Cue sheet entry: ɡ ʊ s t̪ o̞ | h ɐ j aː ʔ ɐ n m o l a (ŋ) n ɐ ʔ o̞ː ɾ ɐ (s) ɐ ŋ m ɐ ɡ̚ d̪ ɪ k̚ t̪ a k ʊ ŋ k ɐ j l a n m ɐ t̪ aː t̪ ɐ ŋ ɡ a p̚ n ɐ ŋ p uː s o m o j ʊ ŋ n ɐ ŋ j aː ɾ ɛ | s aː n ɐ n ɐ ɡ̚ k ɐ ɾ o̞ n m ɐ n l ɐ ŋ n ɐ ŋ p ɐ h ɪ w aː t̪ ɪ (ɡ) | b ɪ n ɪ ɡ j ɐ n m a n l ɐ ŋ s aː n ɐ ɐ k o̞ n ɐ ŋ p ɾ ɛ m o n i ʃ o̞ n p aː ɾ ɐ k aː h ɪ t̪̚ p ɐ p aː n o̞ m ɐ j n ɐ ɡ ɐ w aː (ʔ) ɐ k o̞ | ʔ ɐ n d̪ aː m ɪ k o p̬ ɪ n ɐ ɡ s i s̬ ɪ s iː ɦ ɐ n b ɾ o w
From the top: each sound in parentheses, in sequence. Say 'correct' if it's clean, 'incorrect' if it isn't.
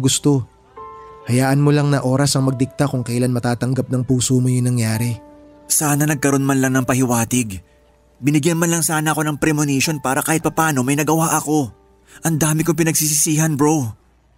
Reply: correct, correct, correct, correct

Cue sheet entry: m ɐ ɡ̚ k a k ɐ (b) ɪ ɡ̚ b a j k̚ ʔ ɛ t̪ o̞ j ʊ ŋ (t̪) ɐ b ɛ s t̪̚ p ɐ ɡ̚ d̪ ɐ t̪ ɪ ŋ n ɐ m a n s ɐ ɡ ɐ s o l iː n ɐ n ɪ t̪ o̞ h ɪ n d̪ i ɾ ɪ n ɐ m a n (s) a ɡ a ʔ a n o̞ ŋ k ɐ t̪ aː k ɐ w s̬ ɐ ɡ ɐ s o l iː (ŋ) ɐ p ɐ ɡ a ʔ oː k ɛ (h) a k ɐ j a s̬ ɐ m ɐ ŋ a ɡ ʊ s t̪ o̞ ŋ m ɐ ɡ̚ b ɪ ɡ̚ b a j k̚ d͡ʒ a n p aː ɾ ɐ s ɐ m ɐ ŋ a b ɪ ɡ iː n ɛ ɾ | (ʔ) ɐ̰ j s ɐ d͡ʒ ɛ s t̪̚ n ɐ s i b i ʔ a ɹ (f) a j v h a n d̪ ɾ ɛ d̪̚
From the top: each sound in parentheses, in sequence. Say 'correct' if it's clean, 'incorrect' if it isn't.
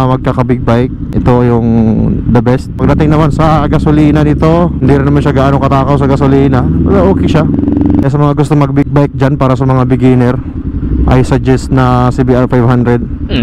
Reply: correct, incorrect: d̪, incorrect: ʃ, incorrect: n, incorrect: ʃ, correct, correct

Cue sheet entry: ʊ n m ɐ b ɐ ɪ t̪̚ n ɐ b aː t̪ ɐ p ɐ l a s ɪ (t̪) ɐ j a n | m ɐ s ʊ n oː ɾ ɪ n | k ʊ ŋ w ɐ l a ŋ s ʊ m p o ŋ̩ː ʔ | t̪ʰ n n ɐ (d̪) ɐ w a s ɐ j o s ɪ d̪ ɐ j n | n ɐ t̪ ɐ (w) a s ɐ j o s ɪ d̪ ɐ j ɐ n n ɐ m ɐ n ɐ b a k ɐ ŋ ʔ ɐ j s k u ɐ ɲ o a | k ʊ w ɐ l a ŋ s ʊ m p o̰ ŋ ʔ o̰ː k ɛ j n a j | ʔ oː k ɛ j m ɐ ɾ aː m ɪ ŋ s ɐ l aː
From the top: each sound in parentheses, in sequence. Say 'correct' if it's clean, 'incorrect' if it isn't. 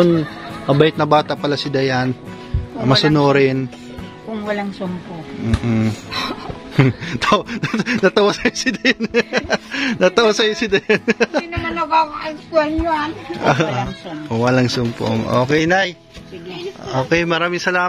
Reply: incorrect: d̪, incorrect: t̪, correct

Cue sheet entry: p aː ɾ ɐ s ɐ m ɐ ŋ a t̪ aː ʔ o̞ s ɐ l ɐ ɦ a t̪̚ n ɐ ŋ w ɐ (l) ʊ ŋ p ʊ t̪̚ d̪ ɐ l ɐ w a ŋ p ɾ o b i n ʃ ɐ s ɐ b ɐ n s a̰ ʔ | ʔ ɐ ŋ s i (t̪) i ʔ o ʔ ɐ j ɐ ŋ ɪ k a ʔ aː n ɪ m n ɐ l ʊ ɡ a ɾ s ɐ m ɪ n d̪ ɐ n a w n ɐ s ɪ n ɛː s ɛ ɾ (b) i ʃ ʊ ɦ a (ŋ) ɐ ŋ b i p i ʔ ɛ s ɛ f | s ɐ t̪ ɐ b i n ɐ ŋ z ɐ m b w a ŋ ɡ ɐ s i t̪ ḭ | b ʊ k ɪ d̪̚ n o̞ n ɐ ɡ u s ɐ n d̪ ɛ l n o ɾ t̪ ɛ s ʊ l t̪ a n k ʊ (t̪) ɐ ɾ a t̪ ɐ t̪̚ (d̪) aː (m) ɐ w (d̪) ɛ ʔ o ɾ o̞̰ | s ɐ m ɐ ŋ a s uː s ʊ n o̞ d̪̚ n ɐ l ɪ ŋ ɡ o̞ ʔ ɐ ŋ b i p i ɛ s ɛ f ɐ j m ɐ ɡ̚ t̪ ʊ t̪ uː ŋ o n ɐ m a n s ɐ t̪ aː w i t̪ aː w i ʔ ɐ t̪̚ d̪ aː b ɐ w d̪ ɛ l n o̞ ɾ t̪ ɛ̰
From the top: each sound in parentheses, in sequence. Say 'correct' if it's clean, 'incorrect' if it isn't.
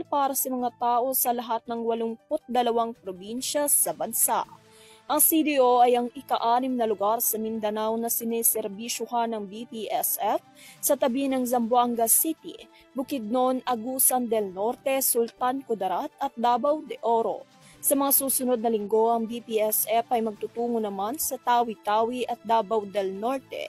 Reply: correct, incorrect: d̪, correct, incorrect: n, incorrect: d̪, correct, incorrect: b, correct

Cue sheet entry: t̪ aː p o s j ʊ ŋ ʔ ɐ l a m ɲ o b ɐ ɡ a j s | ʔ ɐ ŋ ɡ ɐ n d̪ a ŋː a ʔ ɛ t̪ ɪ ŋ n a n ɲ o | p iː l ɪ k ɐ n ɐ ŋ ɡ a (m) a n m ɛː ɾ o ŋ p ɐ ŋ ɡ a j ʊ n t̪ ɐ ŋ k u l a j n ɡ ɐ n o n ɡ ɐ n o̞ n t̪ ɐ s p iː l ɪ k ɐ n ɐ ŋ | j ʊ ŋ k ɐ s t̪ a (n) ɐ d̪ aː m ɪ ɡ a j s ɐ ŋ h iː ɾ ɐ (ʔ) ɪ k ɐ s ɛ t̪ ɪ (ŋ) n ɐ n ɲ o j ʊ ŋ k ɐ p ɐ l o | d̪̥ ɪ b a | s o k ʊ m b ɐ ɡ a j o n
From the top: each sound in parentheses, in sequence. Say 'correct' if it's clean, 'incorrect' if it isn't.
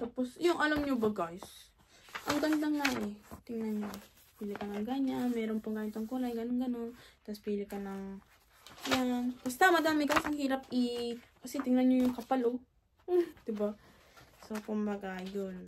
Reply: incorrect: ɲ, incorrect: m, incorrect: p, correct

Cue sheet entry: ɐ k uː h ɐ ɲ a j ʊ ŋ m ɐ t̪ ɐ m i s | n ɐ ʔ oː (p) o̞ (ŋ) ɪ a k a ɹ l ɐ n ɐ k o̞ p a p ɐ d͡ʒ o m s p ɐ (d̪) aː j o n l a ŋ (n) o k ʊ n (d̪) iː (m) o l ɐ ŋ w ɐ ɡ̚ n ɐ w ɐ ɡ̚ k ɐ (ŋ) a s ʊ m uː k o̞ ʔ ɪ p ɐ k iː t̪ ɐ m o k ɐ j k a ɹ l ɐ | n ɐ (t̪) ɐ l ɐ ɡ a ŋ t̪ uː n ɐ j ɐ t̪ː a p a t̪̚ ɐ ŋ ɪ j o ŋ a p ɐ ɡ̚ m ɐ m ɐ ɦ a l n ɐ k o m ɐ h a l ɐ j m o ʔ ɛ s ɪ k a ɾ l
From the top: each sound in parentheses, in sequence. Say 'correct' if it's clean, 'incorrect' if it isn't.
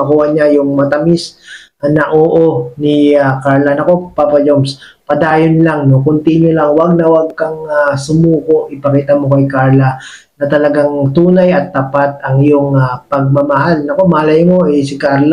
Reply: incorrect: ʔ, incorrect: n, correct, correct, incorrect: t̪, incorrect: ɲ, correct, correct

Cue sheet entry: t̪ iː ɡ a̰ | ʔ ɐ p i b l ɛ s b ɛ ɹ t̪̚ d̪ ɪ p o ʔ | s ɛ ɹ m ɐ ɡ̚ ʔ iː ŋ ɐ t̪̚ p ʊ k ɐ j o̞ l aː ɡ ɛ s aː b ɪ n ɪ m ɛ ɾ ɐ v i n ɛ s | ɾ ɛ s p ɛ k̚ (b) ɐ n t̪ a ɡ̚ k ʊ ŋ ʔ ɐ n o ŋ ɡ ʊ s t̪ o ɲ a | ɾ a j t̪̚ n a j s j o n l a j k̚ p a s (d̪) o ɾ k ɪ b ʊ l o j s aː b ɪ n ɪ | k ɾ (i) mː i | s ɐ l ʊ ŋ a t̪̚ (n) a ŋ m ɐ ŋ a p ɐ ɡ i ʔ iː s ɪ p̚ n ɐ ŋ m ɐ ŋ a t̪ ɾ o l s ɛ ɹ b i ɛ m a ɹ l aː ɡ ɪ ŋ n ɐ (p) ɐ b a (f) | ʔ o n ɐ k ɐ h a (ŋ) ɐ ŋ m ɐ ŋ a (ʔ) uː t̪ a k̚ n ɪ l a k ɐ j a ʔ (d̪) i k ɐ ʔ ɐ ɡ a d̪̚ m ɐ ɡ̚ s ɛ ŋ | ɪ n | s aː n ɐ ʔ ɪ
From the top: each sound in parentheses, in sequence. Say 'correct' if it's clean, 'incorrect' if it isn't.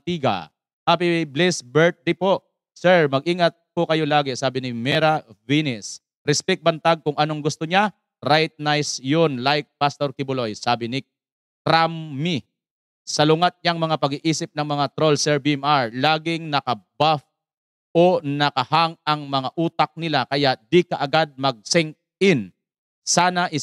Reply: correct, incorrect: t̪, incorrect: a, incorrect: ɲ, incorrect: k, correct, correct, correct, correct

